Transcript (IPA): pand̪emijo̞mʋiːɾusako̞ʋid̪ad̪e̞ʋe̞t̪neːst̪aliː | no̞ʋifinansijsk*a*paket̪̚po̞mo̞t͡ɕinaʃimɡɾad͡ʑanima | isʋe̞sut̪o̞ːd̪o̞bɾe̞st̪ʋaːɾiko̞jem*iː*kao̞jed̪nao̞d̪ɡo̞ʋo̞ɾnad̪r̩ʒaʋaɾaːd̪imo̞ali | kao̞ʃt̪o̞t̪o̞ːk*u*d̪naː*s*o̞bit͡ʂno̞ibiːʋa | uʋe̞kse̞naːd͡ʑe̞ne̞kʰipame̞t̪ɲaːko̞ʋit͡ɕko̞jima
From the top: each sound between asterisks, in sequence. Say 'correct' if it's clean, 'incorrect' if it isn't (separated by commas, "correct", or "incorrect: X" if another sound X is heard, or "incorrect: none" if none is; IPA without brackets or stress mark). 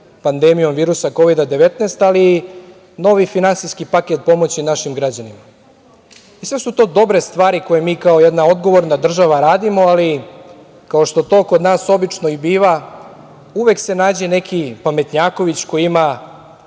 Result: incorrect: i, correct, incorrect: o, correct